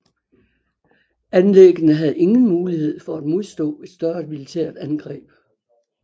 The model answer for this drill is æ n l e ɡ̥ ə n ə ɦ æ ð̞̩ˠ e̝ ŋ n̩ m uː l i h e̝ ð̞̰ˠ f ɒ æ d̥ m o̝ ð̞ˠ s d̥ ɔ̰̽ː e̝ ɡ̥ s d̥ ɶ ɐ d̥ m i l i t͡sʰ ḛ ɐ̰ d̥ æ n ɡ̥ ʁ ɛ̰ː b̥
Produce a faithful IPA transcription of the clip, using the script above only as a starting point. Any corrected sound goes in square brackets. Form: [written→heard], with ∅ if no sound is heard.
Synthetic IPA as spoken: æ n l e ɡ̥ ə n ə ɦ æ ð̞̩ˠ e̝ ŋ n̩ m uː l i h e̝ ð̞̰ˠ f ɒ æ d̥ m o̝ ð̞ˠ s d̥ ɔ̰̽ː e̝ [ɡ̥→d̥] s d̥ ɶ ɐ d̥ m i l i t͡sʰ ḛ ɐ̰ d̥ æ n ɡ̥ ʁ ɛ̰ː b̥